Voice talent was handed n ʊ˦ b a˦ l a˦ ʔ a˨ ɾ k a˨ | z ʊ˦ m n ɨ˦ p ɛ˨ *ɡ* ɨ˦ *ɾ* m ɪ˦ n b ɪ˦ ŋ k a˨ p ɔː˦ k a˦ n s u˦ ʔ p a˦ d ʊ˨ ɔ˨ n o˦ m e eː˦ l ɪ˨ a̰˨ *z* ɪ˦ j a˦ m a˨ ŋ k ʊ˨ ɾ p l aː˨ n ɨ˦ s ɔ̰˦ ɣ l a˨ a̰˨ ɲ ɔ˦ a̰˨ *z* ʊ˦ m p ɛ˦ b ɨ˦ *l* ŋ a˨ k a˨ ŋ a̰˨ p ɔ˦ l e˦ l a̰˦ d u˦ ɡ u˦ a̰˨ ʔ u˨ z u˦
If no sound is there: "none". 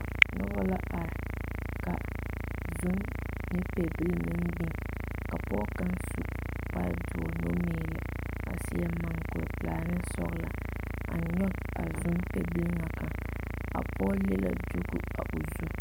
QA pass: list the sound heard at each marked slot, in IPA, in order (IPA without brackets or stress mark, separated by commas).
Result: b, l, s, z, l